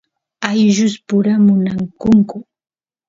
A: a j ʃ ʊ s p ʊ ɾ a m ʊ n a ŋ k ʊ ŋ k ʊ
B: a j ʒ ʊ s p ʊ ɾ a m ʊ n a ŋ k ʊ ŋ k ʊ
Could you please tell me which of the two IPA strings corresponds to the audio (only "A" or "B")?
B